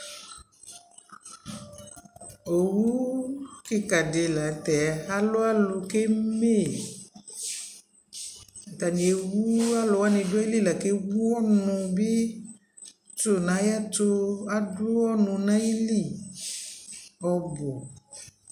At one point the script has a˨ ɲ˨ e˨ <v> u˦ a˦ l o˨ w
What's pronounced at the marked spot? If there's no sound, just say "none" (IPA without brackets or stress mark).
w